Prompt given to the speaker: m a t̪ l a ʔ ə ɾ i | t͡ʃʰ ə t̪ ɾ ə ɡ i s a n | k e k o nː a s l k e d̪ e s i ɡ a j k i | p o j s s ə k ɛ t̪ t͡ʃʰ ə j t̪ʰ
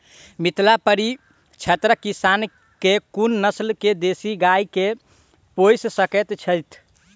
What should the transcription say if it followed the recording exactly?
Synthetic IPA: m i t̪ l a p ə ɾ i | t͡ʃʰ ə t̪ ɾ ə k i s a n | k e k u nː ə s l k e d̪ e s i ɡ a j k e | p o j s s ə k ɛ t̪ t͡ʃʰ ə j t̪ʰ

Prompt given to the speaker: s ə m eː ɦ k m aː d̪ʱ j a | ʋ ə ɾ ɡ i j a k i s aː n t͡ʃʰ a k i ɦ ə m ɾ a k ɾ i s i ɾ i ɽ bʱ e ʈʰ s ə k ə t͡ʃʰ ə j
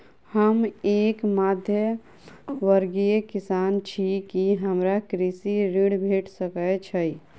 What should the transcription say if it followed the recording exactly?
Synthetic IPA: h ə m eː k m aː d̪ʱ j ə | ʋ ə ɾ ɡ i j e k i s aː n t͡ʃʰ i k i ɦ ə m ɾ a k ɾ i s i ɾ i ɽ bʱ e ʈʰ s ə k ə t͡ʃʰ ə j

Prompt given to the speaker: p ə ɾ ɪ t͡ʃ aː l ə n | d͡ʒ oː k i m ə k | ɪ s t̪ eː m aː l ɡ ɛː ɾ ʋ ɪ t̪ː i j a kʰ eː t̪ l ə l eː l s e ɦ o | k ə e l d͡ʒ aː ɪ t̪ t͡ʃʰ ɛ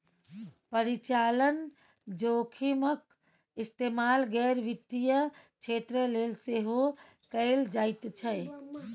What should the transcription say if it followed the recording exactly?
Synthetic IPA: p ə ɾ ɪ t͡ʃ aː l ə n | d͡ʒ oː kʰ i m ə k | ɪ s t̪ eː m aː l ɡ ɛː ɾ ʋ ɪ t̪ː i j ə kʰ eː t̪ ɾ ə l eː l s e ɦ o | k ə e l d͡ʒ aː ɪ t̪ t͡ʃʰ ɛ

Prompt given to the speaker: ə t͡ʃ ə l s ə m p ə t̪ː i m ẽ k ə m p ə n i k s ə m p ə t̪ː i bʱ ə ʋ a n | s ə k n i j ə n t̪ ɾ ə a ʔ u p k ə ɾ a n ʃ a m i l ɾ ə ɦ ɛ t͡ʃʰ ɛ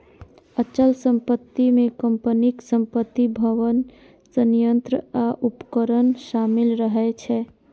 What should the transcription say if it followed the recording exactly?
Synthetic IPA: ə t͡ʃ ə l s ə m p ə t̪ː i m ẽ k ə m p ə n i k s ə m p ə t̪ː i bʱ ə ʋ ə n | s ə n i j ə n t̪ ɾ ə a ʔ u p k ə ɾ ə n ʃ a m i l ɾ ə ɦ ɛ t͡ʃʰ ɛ

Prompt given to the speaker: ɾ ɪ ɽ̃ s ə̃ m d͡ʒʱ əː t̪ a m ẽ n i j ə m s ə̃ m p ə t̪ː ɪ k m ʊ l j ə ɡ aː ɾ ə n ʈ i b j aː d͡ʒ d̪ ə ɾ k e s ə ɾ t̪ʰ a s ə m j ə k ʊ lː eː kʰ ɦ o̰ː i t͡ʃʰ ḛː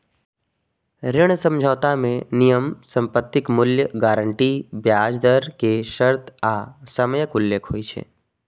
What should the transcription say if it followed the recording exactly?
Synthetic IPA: ɾ ɪ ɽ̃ s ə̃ m d͡ʒʱ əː t̪ a m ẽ n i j ə m s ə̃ m p ə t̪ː ɪ k m ʊ l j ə ɡ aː ɾ ə ɳ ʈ i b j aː d͡ʒ d̪ ə ɾ k e ʃ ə ɾ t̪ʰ a s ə m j ə k ʊ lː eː kʰ ɦ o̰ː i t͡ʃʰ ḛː

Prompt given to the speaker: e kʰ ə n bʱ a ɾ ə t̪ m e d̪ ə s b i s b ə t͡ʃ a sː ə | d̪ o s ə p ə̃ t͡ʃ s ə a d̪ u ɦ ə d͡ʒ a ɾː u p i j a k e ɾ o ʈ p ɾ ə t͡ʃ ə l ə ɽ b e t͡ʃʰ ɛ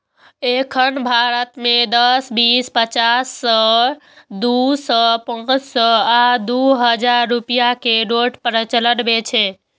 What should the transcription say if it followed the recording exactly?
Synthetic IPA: e kʰ ə n bʱ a ɾ ə t̪ m e d̪ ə s b i s p ə t͡ʃ a sː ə | d̪ u s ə p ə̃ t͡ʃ s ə a d̪ u ɦ ə d͡ʒ a ɾː u p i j a k e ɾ o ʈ p ɾ ə t͡ʃ ə l ə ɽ b e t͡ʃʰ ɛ

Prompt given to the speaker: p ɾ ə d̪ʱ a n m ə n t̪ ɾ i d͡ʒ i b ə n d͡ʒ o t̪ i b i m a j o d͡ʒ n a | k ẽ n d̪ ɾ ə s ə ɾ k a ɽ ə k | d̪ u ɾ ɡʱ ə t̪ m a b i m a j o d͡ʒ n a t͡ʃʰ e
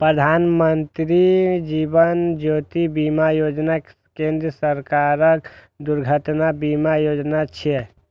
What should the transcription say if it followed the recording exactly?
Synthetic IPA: p ɾ ə d̪ʱ a n m ə n t̪ ɾ i d͡ʒ i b ə n d͡ʒ o t̪ i b i m a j o d͡ʒ n a | k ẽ n d̪ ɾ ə s ə ɾ k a ɾ ə k | d̪ u ɾ ɡʱ ə t̪ n a b i m a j o d͡ʒ n a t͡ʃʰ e

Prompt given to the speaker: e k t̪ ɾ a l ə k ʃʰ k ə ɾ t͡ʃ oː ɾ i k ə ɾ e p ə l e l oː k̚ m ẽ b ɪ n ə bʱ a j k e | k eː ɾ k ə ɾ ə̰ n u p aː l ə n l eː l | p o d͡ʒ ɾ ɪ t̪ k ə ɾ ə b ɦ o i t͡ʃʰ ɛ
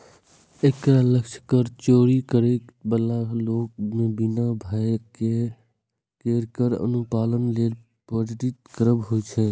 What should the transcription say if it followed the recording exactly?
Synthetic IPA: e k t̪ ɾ a l ə k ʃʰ k ə ɾ t͡ʃ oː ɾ i k ə ɾ e b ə l a l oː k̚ m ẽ b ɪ n a bʱ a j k e | k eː ɾ k ə ɾ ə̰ n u p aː l ə n l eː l | p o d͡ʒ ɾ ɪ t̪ k ə ɾ ə b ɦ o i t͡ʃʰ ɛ

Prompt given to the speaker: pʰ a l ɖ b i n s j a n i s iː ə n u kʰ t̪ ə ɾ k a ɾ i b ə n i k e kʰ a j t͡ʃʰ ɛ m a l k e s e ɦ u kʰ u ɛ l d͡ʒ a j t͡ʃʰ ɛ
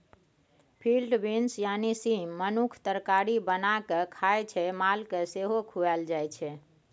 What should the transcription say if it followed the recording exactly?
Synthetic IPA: pʰ i l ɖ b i n s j a n i s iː ə n u kʰ t̪ ə ɾ k a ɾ i b ə n a k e kʰ a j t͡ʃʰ ɛ m a l k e s e ɦ o kʰ u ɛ l d͡ʒ a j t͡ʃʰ ɛ

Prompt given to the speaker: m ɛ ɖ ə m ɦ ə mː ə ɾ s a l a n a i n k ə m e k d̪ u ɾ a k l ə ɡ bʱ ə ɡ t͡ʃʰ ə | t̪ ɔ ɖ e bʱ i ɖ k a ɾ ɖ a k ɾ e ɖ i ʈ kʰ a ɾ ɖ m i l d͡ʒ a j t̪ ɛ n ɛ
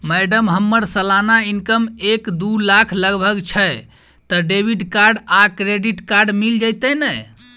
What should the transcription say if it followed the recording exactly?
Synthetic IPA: m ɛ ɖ ə m ɦ ə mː ə ɾ s ə l a n a i n k ə m e k d̪ u l a kʰ l ə ɡ bʱ ə ɡ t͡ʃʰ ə | t̪ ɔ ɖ e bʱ i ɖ k a ɾ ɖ a k ɾ e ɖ i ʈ k a ɾ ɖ m i l d͡ʒ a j t̪ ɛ n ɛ

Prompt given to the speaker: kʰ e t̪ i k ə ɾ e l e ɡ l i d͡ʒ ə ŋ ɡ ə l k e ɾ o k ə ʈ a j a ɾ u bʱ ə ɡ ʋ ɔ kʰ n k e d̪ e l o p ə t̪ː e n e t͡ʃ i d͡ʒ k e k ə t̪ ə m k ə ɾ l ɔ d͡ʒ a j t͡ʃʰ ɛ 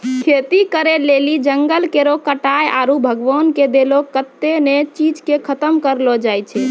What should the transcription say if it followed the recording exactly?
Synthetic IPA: kʰ e t̪ i k ə ɾ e l e l i d͡ʒ ə ŋ ɡ ə l k e ɾ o k ə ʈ a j a ɾ u bʱ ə ɡ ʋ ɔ n k e d̪ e l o k ə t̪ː e n e t͡ʃ i d͡ʒ k e kʰ ə t̪ ə m k ə ɾ l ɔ d͡ʒ a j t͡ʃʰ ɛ

